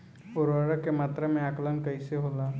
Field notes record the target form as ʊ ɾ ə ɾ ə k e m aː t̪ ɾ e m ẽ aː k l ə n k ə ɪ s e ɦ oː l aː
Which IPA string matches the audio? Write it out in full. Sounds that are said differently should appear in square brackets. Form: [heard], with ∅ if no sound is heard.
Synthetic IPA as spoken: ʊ ɾ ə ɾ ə k e m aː t̪ ɾ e m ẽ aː k l ə n k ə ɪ s e ɦ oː l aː